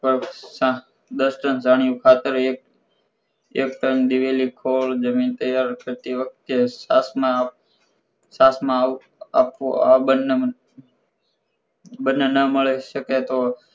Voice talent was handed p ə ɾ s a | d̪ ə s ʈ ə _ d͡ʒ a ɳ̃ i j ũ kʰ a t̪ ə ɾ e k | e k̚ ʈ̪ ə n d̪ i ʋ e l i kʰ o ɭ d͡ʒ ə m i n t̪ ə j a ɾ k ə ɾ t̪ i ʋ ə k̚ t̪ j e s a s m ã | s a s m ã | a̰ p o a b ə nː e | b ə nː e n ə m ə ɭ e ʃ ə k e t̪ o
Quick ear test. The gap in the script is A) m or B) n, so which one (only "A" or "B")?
B